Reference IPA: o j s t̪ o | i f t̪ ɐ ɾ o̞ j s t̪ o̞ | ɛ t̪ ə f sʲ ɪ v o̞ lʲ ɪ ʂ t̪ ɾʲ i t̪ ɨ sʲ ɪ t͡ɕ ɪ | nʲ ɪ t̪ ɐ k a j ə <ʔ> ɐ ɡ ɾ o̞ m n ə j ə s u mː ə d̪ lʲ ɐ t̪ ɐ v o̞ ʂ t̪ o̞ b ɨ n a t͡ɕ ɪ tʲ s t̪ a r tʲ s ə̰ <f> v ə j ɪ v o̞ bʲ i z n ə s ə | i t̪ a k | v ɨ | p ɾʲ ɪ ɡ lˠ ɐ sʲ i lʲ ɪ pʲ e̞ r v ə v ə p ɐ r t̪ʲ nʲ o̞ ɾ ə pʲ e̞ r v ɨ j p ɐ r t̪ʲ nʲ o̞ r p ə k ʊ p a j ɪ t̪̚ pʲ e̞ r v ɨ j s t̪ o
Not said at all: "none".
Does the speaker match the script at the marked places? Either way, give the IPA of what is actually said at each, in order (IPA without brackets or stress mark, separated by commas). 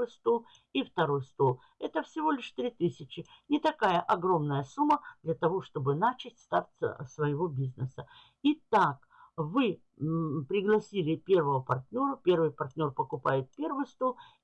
ʔ, s